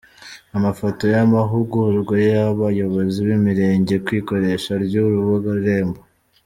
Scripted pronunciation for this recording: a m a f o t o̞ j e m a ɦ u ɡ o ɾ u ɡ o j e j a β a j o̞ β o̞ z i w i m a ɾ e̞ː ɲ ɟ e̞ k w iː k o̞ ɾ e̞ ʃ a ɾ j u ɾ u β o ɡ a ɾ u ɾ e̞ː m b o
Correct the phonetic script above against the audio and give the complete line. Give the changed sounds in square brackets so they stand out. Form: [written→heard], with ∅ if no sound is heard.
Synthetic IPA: a m a f o t o̞ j [e→a] m a ɦ u ɡ [o→u] ɾ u ɡ o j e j a β a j o̞ β o̞ z i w i m [a→i] ɾ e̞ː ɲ ɟ e̞ k w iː k o̞ ɾ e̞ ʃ a ɾ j u ɾ u β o ɡ a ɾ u ɾ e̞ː m b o